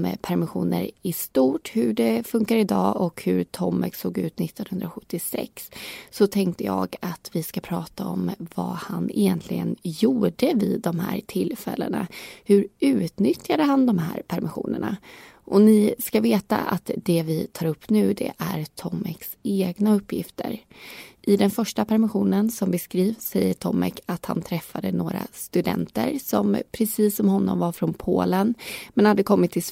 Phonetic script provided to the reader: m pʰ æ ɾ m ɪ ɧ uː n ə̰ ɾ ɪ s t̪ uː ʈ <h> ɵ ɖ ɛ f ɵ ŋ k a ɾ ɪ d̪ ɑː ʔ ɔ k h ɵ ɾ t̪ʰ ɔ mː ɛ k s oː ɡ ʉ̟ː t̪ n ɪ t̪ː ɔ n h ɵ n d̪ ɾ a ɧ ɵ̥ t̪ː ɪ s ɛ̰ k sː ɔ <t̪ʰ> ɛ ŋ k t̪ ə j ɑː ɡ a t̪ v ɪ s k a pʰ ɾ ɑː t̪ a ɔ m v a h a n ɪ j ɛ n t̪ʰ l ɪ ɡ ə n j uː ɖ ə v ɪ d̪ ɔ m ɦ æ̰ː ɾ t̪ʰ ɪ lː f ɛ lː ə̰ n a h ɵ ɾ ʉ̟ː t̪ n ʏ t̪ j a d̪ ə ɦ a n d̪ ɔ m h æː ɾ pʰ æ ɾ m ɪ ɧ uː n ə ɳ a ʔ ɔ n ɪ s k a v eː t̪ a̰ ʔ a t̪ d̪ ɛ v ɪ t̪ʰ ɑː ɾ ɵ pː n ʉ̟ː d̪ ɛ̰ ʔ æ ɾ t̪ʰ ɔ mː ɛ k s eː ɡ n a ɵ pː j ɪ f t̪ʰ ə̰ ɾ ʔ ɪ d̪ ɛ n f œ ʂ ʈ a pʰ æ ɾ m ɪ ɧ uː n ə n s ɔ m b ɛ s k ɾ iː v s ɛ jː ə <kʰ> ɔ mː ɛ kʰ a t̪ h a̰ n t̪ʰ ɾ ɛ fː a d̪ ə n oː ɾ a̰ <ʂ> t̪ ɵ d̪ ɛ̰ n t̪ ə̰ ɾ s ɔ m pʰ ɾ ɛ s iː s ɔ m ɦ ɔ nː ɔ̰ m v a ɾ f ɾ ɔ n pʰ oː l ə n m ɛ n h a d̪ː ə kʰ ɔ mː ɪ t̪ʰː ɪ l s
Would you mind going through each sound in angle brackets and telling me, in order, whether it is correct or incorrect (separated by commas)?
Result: correct, correct, incorrect, incorrect